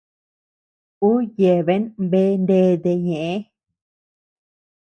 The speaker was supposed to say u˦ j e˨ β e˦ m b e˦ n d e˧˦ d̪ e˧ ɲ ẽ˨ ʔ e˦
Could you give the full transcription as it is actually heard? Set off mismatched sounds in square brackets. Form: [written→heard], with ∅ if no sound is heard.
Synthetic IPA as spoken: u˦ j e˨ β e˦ [m→n] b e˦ n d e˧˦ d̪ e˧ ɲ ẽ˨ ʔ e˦